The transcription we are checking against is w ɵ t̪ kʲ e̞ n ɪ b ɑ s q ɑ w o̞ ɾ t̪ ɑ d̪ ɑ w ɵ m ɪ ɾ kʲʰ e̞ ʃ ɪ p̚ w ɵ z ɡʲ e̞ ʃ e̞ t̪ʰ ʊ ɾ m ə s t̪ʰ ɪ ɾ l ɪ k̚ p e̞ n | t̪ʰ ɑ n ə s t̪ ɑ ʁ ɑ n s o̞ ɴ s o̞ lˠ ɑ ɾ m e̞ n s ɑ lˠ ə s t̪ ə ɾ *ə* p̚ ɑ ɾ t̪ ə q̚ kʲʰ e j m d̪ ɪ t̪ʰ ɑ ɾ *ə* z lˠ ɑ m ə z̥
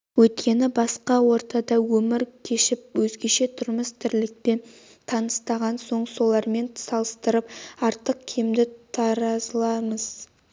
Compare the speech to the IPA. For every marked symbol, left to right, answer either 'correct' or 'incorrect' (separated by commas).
correct, incorrect